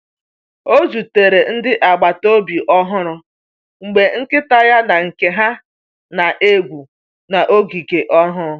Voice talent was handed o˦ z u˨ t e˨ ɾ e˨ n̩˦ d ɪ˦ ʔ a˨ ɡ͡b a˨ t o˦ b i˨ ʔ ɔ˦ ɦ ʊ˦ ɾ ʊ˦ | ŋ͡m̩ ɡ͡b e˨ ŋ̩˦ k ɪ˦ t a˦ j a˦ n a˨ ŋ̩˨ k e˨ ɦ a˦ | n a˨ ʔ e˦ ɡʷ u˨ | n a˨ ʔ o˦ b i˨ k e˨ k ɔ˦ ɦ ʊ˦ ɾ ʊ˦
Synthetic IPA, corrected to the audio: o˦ z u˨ t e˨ ɾ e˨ n̩˦ d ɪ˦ ʔ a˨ ɡ͡b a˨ t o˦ b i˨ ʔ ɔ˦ ɦ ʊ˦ ɾ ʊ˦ | ŋ͡m̩ ɡ͡b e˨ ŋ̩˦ k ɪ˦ t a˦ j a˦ n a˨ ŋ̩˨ k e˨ ɦ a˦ | n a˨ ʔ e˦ ɡʷ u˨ | n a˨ ʔ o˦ ɡ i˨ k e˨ ʔ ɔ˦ ɦ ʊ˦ ɾ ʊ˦